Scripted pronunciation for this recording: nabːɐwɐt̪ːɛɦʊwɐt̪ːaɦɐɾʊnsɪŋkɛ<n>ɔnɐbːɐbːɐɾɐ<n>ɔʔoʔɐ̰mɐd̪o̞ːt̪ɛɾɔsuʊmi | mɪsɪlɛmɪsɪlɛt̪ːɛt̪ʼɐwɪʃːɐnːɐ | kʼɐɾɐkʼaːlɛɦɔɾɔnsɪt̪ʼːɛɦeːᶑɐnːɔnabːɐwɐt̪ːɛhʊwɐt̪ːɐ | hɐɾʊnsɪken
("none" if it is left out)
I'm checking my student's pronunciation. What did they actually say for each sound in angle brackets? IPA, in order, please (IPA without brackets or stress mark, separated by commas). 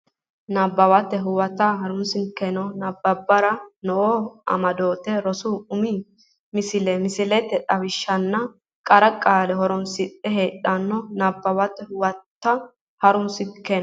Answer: n, n